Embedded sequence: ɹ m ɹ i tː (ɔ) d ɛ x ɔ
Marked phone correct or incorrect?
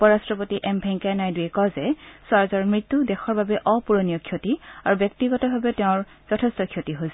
incorrect